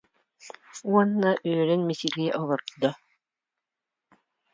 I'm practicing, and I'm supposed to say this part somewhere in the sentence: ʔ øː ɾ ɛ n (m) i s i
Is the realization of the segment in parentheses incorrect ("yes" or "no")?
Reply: no